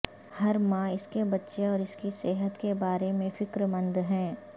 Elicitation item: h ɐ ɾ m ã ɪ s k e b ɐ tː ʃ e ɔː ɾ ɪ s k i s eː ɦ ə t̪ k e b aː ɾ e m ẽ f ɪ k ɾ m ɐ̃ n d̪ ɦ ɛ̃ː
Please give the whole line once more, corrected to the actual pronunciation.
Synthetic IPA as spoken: h ɐ ɾ m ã ɪ s k e b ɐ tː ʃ e ɔː ɾ ɪ s k i s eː ɦ ə t̪ k e b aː ɾ e m ẽ f ɪ k ɾ m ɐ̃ n d̪ ɦ ɛ̃ː